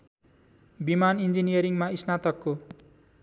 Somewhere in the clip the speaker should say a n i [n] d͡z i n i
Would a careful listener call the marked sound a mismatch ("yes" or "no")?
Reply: no